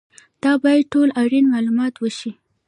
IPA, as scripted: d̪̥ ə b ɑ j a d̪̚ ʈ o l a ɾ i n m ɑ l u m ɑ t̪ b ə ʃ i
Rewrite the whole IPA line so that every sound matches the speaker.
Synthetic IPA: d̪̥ ɑ b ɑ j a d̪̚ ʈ o l a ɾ i n m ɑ l u m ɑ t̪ w ə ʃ i